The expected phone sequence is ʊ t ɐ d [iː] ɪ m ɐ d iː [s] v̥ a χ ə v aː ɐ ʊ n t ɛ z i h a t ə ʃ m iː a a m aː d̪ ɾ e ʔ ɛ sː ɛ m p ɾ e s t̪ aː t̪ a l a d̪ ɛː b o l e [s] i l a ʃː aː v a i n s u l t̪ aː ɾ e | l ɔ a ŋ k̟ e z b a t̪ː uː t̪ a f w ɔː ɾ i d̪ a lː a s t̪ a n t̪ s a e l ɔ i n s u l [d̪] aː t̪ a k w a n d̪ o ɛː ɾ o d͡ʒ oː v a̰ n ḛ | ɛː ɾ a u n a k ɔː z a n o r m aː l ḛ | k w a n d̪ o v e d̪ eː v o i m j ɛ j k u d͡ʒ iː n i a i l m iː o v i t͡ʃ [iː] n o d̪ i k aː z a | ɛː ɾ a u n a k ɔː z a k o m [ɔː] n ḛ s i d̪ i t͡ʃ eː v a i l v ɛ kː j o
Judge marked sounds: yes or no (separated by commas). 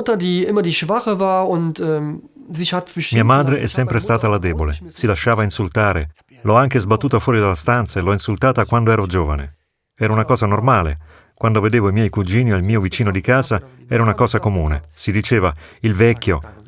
yes, no, yes, no, yes, no